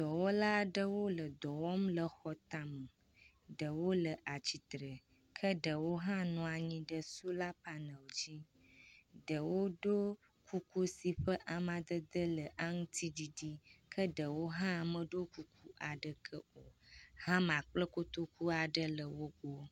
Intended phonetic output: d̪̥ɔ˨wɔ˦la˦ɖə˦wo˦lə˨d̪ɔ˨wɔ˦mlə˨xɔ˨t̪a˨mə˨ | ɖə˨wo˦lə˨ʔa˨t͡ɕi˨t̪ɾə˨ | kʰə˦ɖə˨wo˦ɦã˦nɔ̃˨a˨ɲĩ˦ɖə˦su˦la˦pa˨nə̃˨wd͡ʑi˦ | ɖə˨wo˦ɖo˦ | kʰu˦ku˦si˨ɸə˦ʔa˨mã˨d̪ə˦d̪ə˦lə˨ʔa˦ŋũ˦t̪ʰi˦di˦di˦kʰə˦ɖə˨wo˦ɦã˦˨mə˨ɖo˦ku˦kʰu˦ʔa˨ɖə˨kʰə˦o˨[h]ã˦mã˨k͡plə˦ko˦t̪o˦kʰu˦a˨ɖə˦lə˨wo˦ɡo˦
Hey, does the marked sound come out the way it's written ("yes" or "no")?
yes